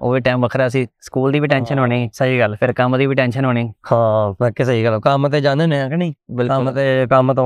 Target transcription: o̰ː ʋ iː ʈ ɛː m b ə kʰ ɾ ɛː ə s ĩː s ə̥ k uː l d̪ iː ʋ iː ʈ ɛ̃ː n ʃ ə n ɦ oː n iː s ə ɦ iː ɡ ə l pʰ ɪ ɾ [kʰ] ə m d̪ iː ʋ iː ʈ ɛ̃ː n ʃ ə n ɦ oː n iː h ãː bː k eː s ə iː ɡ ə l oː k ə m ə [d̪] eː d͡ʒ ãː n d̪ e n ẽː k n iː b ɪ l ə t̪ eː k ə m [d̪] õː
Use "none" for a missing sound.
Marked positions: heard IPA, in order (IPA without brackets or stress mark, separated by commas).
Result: k, t̪, t̪